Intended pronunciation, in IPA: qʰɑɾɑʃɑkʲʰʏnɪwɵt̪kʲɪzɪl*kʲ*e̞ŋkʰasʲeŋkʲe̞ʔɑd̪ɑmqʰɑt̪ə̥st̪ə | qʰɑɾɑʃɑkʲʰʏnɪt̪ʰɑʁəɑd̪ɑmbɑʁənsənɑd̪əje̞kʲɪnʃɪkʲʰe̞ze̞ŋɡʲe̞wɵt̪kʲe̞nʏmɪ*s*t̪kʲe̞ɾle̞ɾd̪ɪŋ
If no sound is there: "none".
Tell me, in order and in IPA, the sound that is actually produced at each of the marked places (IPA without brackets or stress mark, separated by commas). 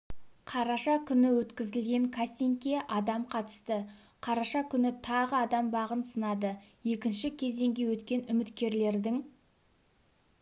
ɡʲ, none